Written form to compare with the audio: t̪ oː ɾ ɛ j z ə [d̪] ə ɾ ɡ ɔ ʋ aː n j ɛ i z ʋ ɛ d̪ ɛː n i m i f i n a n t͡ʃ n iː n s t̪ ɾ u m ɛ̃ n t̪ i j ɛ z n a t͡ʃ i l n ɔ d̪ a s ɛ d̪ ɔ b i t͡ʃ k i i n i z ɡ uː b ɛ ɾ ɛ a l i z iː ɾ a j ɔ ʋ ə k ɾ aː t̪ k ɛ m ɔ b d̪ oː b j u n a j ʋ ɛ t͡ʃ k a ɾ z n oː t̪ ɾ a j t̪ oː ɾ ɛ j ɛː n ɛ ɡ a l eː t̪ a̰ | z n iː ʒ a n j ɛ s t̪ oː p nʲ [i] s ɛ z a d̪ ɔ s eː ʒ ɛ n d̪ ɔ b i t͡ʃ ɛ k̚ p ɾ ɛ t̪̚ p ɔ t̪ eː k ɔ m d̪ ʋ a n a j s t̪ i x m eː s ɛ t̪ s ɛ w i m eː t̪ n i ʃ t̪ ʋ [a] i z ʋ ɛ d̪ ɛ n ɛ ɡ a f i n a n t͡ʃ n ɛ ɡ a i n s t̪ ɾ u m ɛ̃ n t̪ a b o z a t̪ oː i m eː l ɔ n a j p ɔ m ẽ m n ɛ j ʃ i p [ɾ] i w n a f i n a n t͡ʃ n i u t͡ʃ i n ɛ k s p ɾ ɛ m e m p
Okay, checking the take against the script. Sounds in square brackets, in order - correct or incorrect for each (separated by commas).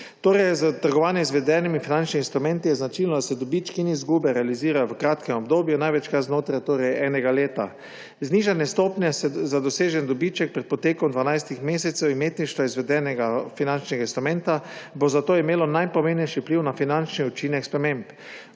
incorrect, incorrect, correct, incorrect